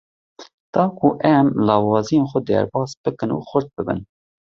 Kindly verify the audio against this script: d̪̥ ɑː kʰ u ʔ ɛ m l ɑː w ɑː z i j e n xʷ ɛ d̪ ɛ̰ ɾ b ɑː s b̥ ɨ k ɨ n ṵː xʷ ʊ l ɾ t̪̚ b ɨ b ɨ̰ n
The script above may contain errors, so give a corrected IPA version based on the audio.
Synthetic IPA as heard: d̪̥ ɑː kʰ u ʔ ɛ m l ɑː w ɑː z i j e n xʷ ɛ d̪ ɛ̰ ɾ b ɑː s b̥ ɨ k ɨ n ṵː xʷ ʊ ɾ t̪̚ b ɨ b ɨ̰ n

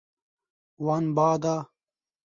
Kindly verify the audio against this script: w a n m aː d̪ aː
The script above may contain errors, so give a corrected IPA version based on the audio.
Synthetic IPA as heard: w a n b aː d̪ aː

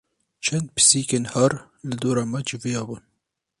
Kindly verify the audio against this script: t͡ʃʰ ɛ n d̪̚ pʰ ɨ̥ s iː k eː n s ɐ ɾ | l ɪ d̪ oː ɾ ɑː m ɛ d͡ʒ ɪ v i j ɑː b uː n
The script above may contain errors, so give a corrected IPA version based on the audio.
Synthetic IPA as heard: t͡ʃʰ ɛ n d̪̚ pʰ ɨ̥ s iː k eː n h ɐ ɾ | l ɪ d̪ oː ɾ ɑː m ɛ d͡ʒ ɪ v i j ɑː b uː n

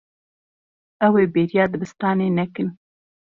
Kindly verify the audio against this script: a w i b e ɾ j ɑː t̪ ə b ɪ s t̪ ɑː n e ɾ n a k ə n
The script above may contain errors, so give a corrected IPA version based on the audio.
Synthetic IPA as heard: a w e b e ɾ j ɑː d̪ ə b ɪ s t̪ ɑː n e n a k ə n

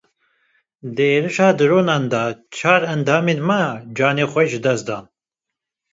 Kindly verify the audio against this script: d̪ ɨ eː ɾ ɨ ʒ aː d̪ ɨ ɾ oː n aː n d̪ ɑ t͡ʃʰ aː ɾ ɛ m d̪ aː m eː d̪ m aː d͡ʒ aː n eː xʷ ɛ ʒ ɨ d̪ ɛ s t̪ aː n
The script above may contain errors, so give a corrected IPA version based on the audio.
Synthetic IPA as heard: d̪ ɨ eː ɾ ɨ ʃ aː d̪ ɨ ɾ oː n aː n d̪ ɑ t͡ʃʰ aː ɾ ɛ n d̪ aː m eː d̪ m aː d͡ʒ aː n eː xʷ ɛ ʒ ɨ d̪ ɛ s d̪ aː n

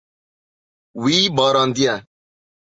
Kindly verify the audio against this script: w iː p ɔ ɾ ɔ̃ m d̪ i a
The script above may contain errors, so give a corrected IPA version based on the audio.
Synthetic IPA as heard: w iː b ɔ ɾ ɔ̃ n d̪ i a

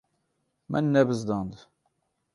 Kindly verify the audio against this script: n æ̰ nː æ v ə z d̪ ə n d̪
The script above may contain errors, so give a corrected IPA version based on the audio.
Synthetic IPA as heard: m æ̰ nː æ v ə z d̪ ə n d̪

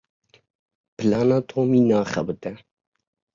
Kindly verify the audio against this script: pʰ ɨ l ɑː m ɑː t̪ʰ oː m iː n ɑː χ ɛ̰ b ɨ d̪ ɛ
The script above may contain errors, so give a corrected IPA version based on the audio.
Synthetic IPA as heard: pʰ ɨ l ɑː n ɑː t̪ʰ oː m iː n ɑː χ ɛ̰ b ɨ t̪ ɛ

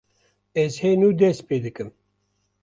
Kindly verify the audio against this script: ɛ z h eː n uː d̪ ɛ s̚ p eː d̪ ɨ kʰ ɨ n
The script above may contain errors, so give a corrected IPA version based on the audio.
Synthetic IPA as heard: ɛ z h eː n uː d̪ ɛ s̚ p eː d̪ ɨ k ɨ m

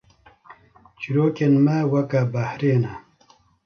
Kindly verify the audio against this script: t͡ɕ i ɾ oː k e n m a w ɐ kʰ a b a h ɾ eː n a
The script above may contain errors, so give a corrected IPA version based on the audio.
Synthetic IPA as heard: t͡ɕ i ɾ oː k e n m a w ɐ k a b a h ɾ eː n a

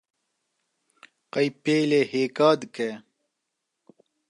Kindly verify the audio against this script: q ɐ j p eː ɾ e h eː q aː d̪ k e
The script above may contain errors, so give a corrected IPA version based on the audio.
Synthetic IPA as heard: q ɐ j p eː l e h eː k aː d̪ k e

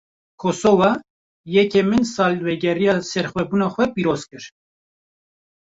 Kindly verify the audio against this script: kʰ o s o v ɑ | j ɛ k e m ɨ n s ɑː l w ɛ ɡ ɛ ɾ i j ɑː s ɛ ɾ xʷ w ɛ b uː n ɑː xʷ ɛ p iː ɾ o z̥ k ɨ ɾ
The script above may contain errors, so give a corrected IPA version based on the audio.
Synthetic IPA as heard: kʰ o s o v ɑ | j ɛ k e m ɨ n s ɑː l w ɛ ɡ ɛ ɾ i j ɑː s ɛ ɾ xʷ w ɛ b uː n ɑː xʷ ɛ p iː ɾ o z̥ k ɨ ɾ

